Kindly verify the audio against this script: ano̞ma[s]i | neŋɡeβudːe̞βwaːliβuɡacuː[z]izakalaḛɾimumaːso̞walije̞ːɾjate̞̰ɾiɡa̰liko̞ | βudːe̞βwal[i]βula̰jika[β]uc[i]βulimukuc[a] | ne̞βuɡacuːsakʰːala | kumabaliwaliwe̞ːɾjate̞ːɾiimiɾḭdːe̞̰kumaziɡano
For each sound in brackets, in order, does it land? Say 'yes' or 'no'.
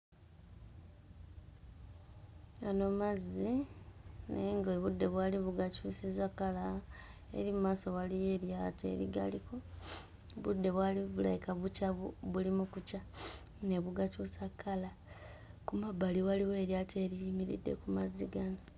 no, no, yes, yes, no, yes

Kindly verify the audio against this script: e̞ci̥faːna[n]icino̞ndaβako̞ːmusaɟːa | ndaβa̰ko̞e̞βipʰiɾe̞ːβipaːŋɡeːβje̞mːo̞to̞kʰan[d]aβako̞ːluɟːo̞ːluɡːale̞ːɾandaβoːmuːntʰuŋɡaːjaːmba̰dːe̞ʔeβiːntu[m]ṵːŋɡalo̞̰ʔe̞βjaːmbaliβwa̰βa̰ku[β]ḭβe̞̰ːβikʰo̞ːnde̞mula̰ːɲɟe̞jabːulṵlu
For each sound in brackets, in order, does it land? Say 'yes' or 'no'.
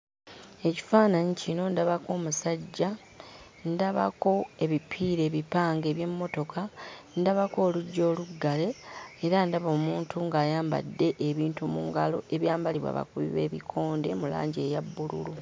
no, yes, yes, yes

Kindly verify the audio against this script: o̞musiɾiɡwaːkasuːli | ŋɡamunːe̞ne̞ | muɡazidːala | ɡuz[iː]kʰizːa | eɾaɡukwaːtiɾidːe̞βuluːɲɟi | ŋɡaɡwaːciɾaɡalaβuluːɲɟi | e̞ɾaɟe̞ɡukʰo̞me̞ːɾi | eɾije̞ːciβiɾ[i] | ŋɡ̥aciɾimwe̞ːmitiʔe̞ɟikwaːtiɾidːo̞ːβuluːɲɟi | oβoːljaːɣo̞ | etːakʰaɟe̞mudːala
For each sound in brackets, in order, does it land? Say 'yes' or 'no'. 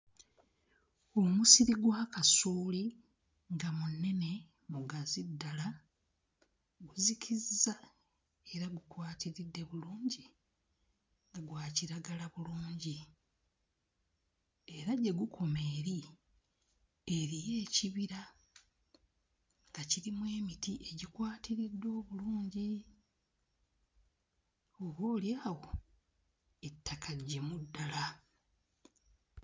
no, no

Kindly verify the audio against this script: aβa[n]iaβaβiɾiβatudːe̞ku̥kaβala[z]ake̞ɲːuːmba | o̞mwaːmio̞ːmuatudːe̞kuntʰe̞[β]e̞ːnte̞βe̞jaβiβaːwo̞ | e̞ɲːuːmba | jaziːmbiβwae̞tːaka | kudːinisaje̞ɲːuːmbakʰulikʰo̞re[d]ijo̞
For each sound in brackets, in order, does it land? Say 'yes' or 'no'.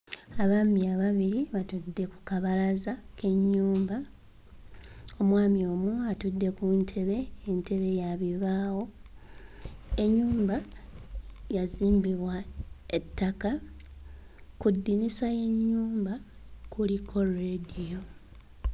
no, yes, yes, yes

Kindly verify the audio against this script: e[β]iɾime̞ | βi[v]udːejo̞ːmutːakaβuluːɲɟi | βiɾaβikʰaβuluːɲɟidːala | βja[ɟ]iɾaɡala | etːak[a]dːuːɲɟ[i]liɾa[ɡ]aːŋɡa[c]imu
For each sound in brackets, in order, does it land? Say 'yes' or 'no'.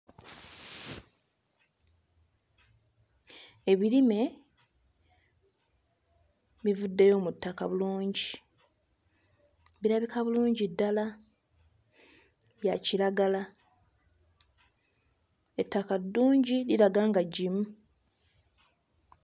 yes, yes, no, yes, yes, yes, no

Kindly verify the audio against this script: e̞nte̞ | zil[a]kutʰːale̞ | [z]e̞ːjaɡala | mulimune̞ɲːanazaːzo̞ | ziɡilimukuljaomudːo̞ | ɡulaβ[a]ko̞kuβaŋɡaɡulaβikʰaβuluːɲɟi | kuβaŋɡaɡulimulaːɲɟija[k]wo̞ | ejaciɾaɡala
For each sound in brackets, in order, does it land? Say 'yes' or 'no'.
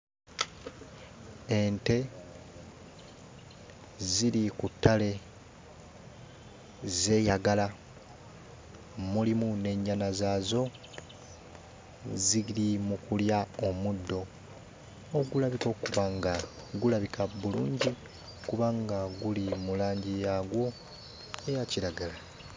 no, yes, no, no

